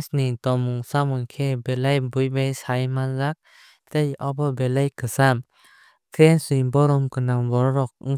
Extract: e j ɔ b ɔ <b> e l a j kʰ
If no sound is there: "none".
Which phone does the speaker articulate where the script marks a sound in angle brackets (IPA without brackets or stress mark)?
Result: b